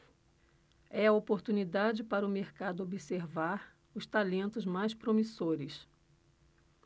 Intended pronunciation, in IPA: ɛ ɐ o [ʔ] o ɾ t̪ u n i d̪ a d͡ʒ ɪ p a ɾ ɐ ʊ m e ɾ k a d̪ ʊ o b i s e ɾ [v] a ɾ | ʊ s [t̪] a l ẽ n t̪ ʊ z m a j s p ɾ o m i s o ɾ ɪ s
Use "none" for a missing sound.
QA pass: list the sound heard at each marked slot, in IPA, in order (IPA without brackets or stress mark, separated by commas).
p, v, t̪